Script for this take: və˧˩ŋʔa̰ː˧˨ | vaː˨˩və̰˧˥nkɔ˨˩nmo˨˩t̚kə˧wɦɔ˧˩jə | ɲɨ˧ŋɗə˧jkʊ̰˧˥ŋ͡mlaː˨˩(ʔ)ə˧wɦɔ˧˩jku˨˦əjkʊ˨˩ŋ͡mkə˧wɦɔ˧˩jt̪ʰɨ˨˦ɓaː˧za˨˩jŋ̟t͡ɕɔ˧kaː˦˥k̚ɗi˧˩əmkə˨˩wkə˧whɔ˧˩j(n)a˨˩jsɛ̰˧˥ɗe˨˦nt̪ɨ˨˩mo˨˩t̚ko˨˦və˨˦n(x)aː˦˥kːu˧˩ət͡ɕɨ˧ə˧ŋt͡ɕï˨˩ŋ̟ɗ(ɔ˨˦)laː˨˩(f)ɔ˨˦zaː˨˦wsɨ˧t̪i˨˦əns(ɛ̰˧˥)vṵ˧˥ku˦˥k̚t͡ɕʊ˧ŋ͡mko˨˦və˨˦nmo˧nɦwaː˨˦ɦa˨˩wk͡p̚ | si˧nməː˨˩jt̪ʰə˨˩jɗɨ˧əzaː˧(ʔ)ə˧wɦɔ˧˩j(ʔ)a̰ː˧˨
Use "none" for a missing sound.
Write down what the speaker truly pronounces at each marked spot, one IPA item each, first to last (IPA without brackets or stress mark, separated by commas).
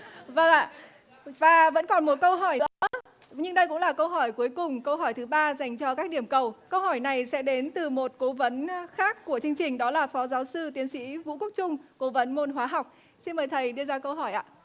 k, n, x, ɔ˨˦, f, ḭ˧˥, k, ʔ